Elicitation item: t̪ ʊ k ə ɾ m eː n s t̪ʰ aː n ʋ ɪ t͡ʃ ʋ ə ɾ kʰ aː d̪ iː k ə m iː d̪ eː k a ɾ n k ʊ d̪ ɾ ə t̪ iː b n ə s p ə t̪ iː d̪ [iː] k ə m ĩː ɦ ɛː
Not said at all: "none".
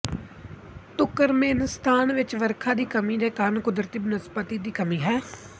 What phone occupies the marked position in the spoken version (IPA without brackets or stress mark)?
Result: iː